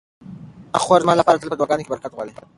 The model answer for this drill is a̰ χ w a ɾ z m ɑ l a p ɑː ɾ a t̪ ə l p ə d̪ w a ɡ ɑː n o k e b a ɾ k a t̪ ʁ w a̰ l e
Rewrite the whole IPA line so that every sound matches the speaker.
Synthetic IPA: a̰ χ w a ɾ z m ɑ l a p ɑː ɾ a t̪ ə l p ə d̪ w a ɡ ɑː n o k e b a ɾ k a t̪ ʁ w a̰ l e